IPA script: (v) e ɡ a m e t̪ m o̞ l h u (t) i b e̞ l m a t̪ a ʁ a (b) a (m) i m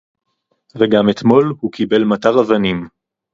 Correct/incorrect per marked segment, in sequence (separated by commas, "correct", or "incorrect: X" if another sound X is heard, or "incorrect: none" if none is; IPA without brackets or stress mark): correct, incorrect: k, incorrect: v, incorrect: n